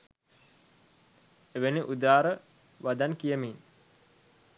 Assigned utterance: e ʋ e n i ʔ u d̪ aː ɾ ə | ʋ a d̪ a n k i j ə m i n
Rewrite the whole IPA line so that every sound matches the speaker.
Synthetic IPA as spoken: e ʋ e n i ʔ u d̪ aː ɾ ə | ʋ a d̪ a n k i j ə m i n